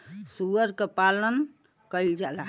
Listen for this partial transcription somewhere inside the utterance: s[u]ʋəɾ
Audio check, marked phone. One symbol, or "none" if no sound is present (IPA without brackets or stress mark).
u